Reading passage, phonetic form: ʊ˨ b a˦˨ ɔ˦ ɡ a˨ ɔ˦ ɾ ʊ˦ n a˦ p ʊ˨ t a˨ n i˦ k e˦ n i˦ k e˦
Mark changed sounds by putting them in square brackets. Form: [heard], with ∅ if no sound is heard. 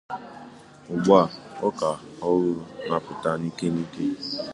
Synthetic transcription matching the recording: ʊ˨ [ɡ͡b] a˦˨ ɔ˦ [k] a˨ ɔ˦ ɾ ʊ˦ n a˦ p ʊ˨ t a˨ n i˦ k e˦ n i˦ k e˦

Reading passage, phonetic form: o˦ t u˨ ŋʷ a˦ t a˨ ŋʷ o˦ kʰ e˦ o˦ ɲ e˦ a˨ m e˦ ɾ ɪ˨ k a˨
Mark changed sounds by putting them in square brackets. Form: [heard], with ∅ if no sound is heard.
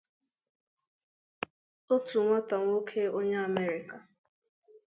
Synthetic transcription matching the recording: o˦ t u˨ ŋʷ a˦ t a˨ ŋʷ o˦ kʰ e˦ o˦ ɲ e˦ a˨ m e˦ ɾ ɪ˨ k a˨

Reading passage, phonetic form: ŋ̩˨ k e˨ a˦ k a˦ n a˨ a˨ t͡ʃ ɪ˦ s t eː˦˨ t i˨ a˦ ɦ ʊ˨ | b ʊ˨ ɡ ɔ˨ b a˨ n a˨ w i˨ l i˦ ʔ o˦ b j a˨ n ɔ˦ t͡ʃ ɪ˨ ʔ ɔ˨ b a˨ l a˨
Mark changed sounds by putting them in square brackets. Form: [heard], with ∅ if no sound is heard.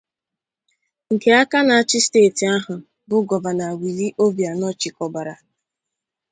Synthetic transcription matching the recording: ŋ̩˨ k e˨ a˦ k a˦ n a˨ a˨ t͡ʃ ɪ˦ s t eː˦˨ t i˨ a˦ ɦ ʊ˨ | b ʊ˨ ɡ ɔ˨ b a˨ n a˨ w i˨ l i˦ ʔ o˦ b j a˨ n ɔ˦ t͡ʃ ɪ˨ [k] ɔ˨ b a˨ [ɾ] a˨

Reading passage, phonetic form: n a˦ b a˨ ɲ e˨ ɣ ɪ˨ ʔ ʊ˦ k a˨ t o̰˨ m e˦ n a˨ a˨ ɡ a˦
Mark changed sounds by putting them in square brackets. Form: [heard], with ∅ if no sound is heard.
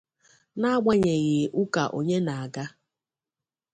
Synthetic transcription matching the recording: n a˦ [ɡ͡b] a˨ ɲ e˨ ɣ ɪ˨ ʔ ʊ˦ k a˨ [ʔ] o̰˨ [ɲ] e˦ n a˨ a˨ ɡ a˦

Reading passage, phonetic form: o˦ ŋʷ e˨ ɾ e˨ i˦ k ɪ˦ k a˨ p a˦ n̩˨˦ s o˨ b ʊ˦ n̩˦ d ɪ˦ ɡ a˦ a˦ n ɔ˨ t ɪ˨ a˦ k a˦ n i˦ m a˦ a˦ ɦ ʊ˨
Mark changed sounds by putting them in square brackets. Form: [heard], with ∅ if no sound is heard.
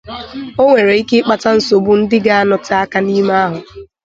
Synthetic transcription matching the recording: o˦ ŋʷ e˨ ɾ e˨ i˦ k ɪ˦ [k͡p] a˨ [t] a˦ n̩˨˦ s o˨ b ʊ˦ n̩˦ d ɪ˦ ɡ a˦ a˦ n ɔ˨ t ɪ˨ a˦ k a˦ n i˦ m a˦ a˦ ɦ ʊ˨

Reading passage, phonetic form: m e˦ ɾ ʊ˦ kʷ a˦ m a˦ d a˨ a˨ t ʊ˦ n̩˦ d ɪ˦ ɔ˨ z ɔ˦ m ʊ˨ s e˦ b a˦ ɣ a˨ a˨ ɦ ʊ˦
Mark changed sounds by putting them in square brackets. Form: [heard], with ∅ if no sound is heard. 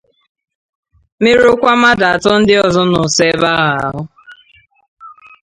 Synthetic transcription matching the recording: m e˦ ɾ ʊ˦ kʷ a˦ m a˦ d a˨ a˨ t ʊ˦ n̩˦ d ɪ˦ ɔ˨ z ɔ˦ [n] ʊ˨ s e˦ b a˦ ɣ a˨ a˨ ɦ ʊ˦

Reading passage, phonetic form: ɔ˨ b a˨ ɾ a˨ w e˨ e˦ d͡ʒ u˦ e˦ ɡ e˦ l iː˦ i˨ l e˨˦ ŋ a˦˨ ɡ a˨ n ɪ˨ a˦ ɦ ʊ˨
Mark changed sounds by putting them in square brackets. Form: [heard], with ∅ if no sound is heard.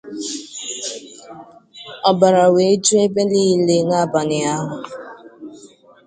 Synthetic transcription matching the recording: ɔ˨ b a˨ ɾ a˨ w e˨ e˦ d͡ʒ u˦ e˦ [b] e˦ l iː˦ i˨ l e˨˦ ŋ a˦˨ [b] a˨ n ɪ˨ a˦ ɦ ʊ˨

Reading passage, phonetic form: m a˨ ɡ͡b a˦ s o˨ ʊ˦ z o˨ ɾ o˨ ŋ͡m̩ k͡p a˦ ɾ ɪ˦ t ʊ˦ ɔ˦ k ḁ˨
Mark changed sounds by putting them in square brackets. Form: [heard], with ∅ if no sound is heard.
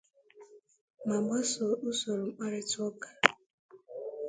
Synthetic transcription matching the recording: m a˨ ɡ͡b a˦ s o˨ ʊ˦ [s] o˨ ɾ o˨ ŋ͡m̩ k͡p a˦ ɾ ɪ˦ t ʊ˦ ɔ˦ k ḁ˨

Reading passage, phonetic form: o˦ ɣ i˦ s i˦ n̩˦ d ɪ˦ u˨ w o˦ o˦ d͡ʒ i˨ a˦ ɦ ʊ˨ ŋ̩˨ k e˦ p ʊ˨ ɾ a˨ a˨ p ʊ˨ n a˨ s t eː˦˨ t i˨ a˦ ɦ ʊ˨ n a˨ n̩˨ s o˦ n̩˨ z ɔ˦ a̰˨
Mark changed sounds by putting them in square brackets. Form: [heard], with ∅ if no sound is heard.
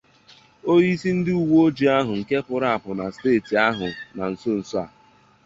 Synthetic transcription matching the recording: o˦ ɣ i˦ s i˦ n̩˦ d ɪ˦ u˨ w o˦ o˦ d͡ʒ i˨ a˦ ɦ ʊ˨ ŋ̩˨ k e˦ p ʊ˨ ɾ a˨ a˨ p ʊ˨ n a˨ s t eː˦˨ t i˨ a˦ ɦ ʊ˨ n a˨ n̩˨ s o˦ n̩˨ [s] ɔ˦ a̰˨

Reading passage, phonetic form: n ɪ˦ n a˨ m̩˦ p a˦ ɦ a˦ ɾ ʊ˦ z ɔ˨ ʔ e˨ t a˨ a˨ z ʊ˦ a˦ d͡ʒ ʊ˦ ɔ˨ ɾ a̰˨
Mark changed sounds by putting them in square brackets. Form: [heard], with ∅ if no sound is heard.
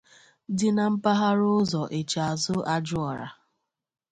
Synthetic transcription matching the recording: [d] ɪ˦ n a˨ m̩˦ p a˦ ɦ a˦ ɾ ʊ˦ z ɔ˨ ʔ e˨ [t͡ʃ] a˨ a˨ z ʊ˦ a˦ d͡ʒ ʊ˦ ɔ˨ ɾ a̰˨

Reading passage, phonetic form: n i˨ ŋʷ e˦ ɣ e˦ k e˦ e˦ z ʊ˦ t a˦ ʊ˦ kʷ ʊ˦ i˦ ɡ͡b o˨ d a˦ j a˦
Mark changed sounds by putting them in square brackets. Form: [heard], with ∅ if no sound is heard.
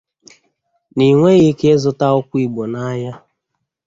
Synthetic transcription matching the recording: n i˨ ŋʷ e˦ ɣ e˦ k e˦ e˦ z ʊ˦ t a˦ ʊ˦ kʷ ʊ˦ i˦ ɡ͡b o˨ [n] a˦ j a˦

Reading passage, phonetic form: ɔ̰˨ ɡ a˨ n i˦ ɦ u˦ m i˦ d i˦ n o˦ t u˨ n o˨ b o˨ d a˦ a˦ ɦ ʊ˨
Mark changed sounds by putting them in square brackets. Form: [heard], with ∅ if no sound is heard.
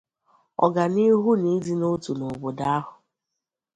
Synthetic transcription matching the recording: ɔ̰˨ ɡ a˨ n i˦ ɦ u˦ [n] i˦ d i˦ n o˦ t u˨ n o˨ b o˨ d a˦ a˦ ɦ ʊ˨

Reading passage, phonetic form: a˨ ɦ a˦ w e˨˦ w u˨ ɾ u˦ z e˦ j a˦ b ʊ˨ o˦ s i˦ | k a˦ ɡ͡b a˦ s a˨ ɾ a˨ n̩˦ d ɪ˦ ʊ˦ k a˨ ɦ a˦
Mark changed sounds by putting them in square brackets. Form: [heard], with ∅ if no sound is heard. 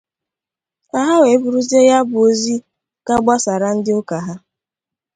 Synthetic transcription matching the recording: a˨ ɦ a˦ w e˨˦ [b] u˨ ɾ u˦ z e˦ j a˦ b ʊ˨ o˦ [z] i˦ | k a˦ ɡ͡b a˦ s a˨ ɾ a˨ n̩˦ d ɪ˦ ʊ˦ k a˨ ɦ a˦

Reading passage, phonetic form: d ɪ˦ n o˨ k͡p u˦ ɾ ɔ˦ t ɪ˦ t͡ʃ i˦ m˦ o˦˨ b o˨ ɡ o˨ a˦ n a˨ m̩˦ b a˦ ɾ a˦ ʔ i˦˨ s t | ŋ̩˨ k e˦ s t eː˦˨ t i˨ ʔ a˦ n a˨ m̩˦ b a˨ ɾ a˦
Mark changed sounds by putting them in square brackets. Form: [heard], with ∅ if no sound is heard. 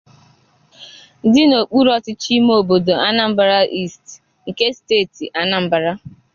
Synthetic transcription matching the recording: d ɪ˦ n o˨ k͡p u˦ ɾ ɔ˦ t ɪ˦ t͡ʃ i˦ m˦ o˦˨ b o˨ [d] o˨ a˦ n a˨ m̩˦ b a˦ ɾ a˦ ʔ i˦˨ s t | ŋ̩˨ k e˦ s t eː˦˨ t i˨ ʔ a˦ n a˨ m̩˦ b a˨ ɾ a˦

